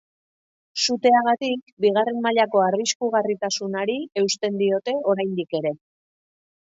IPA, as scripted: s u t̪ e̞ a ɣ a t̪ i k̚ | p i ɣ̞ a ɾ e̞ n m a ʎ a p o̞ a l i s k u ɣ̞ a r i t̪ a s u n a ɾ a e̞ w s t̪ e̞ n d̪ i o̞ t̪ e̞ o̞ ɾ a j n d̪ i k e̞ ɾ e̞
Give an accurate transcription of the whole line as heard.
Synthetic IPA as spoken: s u t̪ e̞ a ɣ a t̪ i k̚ | b i ɣ̞ a r e̞ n m a ʎ a k o̞ a r i s k u ɣ̞ a r i t̪ a s u n a ɾ i e̞ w s t̪ e̞ n d̪ i o̞ t̪ e̞ o̞ ɾ a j n d̪ i k e̞ ɾ e̞